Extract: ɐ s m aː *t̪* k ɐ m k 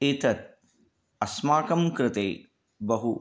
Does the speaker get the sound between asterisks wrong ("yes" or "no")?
yes